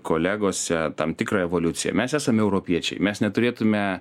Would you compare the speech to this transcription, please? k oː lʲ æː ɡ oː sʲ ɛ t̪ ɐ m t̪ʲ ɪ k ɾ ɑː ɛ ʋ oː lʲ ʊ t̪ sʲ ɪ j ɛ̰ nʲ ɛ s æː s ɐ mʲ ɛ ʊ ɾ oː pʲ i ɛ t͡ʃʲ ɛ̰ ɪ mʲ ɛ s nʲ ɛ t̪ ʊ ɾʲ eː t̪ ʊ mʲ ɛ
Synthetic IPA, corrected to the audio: k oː lʲ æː ɡ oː sʲ ɛ t̪ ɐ m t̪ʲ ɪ k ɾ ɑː ɛ ʋ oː lʲ ʊ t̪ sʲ ɪ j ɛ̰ mʲ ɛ s æː s ɐ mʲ ɛ ʊ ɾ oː pʲ i ɛ t͡ʃʲ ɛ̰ ɪ mʲ ɛ s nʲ ɛ t̪ ʊ ɾʲ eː t̪ ʊ mʲ ɛ